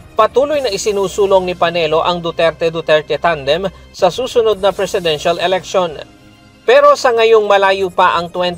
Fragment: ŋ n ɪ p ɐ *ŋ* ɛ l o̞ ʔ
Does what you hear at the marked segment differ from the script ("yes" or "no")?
yes